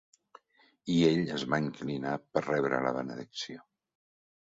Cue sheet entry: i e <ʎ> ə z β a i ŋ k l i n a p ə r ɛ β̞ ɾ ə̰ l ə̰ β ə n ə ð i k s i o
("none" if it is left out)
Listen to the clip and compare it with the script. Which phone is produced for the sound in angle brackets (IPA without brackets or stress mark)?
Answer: ʎ